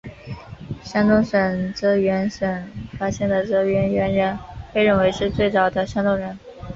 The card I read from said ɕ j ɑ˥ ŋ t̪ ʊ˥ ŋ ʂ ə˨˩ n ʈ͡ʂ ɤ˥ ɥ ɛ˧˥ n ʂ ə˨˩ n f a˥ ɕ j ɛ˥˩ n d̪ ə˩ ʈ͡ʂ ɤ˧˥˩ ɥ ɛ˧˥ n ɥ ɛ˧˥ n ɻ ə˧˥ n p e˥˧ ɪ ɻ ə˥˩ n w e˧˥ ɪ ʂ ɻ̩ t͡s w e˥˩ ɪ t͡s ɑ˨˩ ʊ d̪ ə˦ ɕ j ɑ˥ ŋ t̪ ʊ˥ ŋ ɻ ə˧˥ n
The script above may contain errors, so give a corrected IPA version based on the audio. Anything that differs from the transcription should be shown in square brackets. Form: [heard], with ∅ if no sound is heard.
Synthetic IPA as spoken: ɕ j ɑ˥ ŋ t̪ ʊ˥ ŋ ʂ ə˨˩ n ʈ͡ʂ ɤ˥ ɥ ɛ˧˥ n ʂ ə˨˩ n f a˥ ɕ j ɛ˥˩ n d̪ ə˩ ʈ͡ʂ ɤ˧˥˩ ɥ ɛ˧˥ n ɥ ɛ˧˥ n ɻ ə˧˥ n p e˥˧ ɪ ɻ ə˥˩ n w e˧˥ ɪ ʂ ɻ̩ t͡s w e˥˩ ɪ t͡s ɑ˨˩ ʊ d̪ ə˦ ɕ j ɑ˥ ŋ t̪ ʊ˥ ŋ ɻ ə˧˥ n